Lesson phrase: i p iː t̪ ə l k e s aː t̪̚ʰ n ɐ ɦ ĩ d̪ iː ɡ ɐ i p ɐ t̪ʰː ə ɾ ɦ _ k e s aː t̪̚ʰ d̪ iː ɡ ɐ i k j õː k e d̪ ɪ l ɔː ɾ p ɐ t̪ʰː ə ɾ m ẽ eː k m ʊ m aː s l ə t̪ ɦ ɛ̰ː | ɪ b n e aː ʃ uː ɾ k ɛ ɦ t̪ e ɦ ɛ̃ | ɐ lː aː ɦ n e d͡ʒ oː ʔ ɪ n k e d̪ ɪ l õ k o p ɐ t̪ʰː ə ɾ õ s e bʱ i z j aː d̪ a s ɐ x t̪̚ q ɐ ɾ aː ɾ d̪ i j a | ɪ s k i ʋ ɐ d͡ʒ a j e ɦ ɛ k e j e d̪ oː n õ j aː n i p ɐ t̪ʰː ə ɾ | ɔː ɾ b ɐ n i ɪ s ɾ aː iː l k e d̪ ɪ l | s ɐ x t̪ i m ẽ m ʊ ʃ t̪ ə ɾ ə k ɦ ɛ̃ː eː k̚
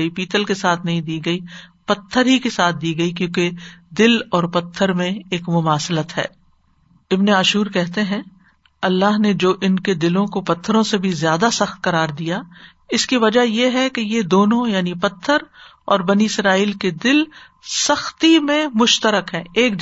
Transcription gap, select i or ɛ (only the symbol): i